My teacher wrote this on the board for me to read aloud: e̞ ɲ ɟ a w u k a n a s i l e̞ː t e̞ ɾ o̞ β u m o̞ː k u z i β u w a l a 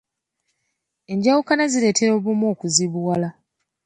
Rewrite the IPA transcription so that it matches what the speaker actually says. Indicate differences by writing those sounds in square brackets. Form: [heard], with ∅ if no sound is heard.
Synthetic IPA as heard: e̞ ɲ ɟ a w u k a n a [z] i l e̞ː t e̞ ɾ o̞ β u m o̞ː k u z i β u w a l a

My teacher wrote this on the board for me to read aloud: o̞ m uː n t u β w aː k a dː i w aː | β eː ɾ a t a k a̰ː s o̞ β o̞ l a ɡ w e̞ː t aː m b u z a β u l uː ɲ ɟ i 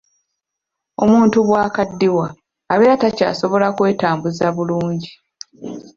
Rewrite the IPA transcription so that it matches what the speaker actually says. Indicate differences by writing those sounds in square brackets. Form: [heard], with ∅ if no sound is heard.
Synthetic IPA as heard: o̞ m uː n t u β w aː k a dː i w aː | β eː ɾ a t a [c] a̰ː s o̞ β o̞ l a [k] w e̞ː t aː m b u z a β u l uː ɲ ɟ i

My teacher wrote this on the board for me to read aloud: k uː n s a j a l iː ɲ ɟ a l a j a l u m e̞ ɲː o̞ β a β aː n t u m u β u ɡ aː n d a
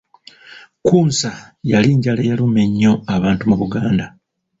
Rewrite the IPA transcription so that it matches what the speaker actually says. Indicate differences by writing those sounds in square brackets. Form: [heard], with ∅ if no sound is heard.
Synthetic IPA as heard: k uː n s a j a l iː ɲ ɟ a l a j a l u m e̞ ɲː o̞ [∅] a β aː n t u m u β u ɡ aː n d a

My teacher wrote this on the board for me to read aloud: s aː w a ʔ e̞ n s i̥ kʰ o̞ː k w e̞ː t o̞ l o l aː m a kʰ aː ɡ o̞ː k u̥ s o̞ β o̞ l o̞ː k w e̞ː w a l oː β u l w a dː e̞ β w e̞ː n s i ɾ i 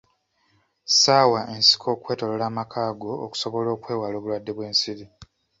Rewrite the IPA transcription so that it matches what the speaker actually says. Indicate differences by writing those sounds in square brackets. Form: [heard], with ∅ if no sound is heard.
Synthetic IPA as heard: s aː w a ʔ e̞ n s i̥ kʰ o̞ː k w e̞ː t o̞ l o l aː m a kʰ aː ɡ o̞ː k u̥ s o̞ β o̞ l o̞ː k w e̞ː w a l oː β u l w a dː e̞ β w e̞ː n s i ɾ i

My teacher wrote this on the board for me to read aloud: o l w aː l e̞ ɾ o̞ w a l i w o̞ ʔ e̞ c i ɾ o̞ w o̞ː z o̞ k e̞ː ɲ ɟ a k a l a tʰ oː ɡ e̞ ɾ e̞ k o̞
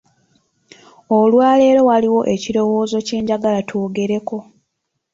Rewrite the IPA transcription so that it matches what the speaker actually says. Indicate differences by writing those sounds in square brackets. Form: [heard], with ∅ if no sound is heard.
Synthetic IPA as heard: o l w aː l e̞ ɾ o̞ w a l i w o̞ ʔ e̞ c i ɾ o̞ w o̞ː z o̞ [c] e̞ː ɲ ɟ a [ɡ] a l a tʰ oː ɡ e̞ ɾ e̞ k o̞

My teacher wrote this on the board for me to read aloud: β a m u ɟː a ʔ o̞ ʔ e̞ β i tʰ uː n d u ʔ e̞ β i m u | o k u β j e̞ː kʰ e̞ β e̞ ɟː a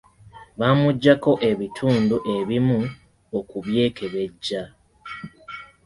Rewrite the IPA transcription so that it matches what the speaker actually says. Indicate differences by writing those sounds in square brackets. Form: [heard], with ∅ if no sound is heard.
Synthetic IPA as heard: β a m u ɟː a [k] o̞ ʔ e̞ β i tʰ uː n d u ʔ e̞ β i m u | o k u β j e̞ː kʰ e̞ β e̞ ɟː a

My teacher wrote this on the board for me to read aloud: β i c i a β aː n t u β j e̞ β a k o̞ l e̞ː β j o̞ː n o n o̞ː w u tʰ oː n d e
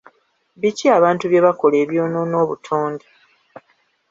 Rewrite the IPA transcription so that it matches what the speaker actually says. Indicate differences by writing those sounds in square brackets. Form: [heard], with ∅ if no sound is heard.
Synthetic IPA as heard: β i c i a β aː n t u β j e̞ β a k o̞ l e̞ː β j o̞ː n o n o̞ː [β] u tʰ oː n d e

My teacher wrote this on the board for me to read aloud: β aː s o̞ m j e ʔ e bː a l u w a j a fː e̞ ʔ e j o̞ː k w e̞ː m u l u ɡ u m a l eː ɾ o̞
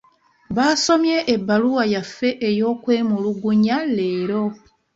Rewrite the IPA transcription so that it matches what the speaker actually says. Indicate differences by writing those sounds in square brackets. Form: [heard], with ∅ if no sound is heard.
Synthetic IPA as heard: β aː s o̞ m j e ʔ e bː a l u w a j a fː e̞ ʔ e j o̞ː k w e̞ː m u l u ɡ u [ɲ] a l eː ɾ o̞

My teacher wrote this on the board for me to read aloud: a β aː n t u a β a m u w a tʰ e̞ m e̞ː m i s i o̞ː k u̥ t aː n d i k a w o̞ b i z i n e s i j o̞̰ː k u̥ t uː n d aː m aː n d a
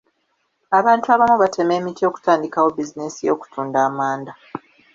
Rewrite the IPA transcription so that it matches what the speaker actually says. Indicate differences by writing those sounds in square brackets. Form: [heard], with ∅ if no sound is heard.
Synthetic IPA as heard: a β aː n t u a β a m u [β] a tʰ e̞ m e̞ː m i [t] i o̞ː k u̥ t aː n d i k a w o̞ b i z i n e s i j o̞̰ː k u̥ t uː n d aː m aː n d a

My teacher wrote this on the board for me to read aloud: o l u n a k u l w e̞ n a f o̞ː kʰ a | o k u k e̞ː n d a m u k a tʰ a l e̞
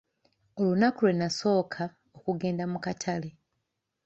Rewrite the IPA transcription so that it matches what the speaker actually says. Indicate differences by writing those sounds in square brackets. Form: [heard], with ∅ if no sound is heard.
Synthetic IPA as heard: o l u n a k u l w e̞ n a [s] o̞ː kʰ a | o k u [ɡ] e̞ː n d a m u k a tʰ a l e̞

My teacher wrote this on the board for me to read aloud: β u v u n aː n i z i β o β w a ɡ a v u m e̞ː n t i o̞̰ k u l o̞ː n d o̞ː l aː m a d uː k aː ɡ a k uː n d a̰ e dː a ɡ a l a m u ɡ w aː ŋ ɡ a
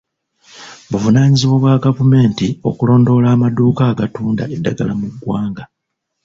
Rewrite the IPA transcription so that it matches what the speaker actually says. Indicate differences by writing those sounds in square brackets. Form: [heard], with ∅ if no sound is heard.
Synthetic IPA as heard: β u v u n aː [ɲ] i z i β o β w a ɡ a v u m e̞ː n t i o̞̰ k u l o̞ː n d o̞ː l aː m a d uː k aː ɡ a [t] uː n d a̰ e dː a ɡ a l a m u ɡ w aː ŋ ɡ a

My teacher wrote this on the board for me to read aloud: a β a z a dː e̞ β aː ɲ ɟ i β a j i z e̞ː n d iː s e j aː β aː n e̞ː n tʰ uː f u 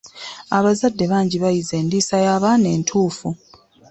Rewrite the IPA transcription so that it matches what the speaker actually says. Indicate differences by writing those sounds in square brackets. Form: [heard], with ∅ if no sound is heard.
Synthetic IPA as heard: a β a z a dː e̞ β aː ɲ ɟ i β a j i z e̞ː n d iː s [a] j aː β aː n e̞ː n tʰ uː f u

